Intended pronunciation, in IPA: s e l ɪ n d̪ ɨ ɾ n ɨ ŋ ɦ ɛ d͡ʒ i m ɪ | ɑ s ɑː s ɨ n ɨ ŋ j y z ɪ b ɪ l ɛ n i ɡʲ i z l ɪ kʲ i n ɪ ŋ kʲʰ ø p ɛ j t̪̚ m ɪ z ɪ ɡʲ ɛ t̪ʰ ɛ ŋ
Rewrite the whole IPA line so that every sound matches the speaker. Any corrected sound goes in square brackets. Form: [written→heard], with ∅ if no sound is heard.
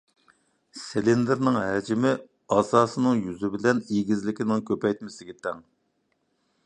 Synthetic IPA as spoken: s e l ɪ n d̪ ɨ ɾ n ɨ ŋ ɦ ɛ d͡ʒ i m ɪ | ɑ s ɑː s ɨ n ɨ ŋ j y z ɪ b ɪ l ɛ n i ɡʲ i z l ɪ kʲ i n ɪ ŋ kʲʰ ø p ɛ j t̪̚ m ɪ [z→s] ɪ ɡʲ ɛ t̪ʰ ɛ ŋ